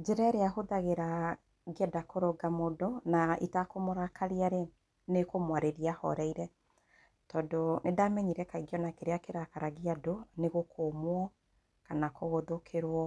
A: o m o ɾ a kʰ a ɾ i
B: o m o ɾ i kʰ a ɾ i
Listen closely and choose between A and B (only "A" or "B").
A